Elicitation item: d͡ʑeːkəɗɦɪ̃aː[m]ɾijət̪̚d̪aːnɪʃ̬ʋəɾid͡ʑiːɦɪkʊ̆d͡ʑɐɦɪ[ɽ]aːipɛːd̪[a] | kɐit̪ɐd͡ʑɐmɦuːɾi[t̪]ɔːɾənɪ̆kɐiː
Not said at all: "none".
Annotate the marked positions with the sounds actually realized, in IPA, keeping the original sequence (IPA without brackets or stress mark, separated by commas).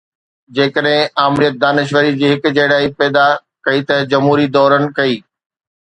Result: m, ɽ, a, d̪